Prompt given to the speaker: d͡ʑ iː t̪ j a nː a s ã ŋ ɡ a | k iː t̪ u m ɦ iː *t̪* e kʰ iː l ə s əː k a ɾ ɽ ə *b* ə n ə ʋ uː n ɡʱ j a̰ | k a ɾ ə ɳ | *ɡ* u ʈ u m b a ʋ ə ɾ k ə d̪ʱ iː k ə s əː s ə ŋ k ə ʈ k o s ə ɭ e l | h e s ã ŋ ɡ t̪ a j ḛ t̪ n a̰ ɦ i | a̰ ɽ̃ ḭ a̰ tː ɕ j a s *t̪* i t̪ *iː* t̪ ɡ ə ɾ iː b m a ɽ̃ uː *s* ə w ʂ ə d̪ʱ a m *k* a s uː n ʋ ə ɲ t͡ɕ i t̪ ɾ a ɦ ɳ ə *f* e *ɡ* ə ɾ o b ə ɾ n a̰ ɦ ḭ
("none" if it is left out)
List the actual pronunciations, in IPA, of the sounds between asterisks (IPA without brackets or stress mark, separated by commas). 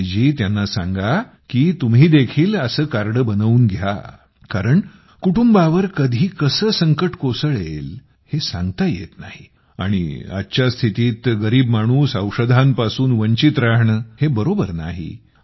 d̪, b, k, t̪ʰ, iː, s, p, h, b